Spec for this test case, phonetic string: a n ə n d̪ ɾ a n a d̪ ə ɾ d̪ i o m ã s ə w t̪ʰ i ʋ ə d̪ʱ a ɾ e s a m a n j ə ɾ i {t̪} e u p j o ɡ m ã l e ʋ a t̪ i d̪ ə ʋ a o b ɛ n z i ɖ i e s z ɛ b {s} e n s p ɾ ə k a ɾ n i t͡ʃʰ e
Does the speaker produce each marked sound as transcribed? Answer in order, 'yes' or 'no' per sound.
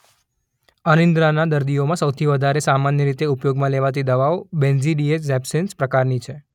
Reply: yes, yes

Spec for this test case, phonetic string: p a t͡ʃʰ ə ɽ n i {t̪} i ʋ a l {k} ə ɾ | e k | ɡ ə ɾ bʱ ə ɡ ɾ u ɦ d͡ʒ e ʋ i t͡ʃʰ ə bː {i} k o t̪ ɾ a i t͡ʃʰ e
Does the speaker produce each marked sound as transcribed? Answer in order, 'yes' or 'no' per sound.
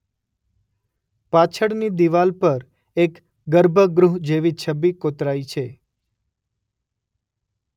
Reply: no, no, yes

